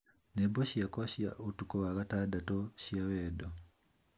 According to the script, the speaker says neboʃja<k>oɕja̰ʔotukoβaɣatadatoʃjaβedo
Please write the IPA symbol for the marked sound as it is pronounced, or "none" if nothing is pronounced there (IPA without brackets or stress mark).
k